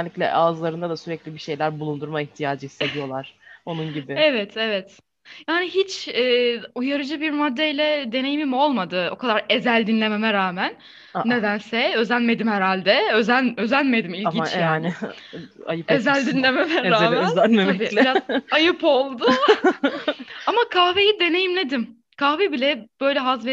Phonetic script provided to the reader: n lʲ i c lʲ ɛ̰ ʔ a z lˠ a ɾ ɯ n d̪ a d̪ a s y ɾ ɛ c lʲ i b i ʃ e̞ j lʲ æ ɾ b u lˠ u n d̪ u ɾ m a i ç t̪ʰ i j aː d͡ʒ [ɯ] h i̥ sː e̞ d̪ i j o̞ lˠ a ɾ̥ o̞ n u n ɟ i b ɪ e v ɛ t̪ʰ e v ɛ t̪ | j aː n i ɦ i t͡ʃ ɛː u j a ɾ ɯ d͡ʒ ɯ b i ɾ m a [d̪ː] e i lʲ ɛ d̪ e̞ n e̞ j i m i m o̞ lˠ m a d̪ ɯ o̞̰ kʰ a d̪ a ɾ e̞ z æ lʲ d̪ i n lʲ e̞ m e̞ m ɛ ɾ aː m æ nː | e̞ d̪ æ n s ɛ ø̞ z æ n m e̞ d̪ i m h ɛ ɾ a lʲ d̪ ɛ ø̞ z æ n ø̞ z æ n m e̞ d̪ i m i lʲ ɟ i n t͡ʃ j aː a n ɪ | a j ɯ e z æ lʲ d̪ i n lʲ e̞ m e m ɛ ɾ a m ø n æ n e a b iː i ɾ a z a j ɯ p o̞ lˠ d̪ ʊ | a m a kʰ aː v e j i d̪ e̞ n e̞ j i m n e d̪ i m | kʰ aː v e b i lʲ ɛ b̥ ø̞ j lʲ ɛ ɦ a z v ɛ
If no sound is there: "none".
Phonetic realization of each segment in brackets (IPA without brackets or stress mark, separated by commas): ɯ, d̪ː